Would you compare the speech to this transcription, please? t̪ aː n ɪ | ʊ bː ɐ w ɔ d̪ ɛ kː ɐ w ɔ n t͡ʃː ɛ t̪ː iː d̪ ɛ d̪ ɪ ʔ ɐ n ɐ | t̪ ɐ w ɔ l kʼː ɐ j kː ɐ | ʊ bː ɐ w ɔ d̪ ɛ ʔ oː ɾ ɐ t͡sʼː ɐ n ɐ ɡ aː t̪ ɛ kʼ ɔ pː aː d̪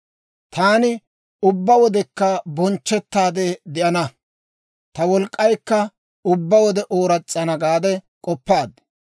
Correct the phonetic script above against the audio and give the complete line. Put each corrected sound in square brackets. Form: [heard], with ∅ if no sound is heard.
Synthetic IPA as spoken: t̪ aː n ɪ | ʊ bː ɐ w ɔ d̪ ɛ kː ɐ [b] ɔ n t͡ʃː ɛ t̪ː [aː] d̪ ɛ d̪ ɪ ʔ ɐ n ɐ | t̪ ɐ w ɔ l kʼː ɐ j kː ɐ | ʊ bː ɐ w ɔ d̪ ɛ ʔ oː ɾ ɐ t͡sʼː ɐ n ɐ ɡ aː [d̪] ɛ kʼ ɔ pː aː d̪